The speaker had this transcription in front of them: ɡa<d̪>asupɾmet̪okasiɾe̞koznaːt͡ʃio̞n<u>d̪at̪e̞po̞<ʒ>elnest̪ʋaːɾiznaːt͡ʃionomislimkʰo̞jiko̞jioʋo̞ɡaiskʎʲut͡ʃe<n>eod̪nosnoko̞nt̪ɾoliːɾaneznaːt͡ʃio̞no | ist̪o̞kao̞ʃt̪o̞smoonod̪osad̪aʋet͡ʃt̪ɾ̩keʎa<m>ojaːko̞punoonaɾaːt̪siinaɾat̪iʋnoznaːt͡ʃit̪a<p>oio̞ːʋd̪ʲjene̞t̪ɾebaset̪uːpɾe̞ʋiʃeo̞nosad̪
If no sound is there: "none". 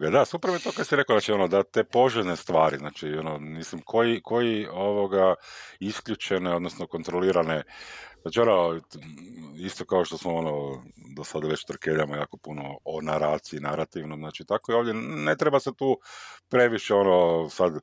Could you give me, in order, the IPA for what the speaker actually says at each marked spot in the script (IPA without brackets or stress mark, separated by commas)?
d̪, o, ʒ, n, m, k